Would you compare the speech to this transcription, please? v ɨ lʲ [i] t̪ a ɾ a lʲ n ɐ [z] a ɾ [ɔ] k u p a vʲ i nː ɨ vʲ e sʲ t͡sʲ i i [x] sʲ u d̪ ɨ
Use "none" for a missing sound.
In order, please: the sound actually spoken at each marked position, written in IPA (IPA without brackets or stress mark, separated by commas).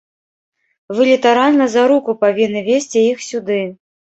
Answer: i, z, u, x